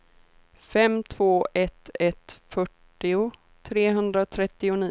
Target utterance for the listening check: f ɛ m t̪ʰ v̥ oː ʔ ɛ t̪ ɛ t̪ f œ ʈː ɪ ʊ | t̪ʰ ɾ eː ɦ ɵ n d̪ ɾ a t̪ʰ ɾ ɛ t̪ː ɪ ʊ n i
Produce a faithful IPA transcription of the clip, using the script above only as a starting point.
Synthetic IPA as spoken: f ɛ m t̪ʰ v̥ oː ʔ ɛ t̪ ɛ t̪ f œ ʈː ɪ ʊ | t̪ʰ ɾ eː ɦ ɵ n d̪ ɾ a t̪ʰ ɾ ɛ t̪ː ɪ ʊ n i